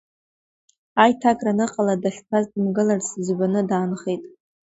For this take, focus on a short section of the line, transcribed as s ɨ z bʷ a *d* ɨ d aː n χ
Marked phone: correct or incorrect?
incorrect